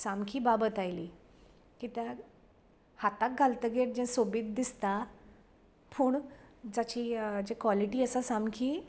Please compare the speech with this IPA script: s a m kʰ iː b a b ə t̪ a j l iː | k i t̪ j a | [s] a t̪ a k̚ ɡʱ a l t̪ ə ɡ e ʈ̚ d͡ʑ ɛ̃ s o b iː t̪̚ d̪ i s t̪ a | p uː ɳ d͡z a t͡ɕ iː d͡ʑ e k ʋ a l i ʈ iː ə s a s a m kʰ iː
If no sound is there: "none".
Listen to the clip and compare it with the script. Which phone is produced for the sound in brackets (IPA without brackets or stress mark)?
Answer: h